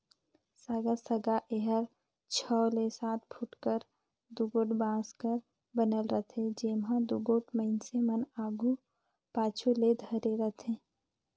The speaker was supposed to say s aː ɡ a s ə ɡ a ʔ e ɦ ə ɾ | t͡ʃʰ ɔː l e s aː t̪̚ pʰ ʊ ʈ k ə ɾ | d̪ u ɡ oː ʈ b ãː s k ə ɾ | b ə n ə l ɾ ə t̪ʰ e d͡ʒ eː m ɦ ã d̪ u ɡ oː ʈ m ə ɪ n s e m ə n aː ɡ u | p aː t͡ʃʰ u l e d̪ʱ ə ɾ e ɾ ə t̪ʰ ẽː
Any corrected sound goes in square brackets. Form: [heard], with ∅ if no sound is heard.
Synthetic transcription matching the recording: s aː ɡ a s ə ɡ a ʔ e ɦ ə ɾ | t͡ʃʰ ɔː l e s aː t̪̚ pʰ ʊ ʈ k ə ɾ | d̪ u ɡ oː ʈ b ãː s k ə ɾ | b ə n ə l ɾ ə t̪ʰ e d͡ʒ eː m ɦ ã d̪ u ɡ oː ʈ m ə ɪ n s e m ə n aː ɡ u | p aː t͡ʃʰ u l e d̪ʱ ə ɾ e ɾ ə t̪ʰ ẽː